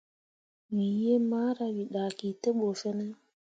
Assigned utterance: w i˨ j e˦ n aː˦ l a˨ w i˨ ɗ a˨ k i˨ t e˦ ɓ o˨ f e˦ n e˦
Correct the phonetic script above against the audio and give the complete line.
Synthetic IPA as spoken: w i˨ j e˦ m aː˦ ɾ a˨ w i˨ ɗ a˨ k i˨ t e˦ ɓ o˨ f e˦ n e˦